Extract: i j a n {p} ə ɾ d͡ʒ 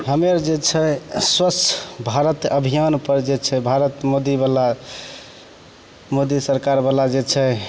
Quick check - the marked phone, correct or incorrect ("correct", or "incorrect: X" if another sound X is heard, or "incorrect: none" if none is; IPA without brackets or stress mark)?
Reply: correct